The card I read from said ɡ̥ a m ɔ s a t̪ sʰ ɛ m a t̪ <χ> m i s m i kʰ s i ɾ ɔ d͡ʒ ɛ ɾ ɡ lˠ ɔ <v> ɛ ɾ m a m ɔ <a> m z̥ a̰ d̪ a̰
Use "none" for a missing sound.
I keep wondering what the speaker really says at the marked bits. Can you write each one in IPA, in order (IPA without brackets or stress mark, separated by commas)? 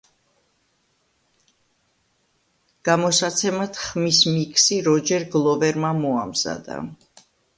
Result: χ, v, a